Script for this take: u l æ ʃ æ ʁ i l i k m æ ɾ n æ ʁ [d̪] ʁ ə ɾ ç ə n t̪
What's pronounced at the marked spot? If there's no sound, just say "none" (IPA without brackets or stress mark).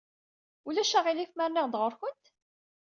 d̪